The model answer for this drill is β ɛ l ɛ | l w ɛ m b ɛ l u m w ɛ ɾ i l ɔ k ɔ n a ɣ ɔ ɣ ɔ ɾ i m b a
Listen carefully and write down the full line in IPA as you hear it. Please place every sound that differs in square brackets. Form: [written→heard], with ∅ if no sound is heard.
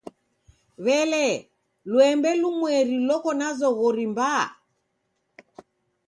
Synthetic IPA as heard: β ɛ l ɛ | l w ɛ m b ɛ l u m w ɛ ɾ i l ɔ k ɔ n a [ɣ→z] ɔ ɣ ɔ ɾ i m b a